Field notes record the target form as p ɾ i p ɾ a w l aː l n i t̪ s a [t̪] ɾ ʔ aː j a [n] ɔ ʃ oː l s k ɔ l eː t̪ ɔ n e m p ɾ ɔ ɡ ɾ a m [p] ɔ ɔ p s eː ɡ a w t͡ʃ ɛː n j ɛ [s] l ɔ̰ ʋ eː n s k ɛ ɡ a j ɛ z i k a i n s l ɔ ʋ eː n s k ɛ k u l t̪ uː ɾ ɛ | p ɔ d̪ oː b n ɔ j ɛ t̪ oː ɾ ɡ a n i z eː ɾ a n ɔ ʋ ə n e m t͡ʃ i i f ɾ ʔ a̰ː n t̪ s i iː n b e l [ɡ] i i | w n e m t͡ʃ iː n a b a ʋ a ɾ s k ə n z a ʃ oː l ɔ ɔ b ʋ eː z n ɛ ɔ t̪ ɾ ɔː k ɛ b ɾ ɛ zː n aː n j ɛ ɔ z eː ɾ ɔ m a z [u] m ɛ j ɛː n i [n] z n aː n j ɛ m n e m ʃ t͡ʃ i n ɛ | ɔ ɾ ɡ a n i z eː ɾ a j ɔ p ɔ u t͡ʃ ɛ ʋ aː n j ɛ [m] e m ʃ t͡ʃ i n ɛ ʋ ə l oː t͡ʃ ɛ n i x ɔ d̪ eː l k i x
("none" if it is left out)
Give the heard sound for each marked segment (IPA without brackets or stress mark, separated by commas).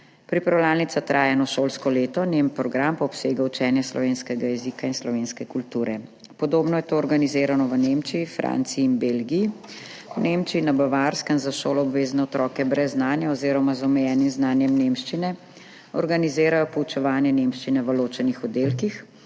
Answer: t̪, n, p, s, ɡ, ɔ, m, n